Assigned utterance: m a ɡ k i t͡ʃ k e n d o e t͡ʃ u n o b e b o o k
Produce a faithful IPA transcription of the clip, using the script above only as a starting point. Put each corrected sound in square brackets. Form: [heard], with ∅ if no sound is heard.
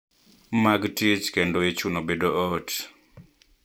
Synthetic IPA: m a ɡ [t] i t͡ʃ k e n d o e t͡ʃ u n o b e [d] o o [t]